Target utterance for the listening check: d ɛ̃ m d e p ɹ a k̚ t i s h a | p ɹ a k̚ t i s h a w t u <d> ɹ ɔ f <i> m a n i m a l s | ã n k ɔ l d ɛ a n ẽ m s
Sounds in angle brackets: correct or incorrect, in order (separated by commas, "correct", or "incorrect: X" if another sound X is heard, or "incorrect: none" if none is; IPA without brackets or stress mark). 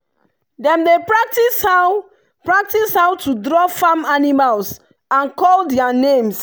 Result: correct, incorrect: a